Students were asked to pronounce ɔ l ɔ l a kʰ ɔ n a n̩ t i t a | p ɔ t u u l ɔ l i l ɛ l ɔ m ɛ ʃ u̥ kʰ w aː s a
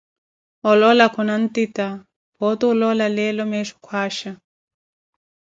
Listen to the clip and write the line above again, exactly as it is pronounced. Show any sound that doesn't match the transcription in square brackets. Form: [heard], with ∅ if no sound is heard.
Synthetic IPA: ɔ l ɔ l a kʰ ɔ n a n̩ t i t a | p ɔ t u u l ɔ l [a] l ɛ l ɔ m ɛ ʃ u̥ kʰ w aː [ʃ] a